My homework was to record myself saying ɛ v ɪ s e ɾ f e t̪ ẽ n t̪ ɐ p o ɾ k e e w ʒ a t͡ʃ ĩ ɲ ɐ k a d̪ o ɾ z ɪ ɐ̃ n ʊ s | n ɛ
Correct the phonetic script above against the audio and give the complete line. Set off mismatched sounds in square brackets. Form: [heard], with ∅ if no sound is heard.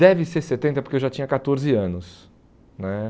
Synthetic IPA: ɛ v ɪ s e ɾ [s] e t̪ ẽ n t̪ ɐ p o ɾ k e e w ʒ a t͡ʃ ĩ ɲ ɐ k a [t̪] o ɾ z ɪ ɐ̃ n ʊ s | n ɛ